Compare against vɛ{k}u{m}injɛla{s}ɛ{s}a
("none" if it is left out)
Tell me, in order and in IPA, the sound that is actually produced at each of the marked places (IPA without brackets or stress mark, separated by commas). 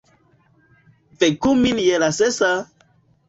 k, m, s, s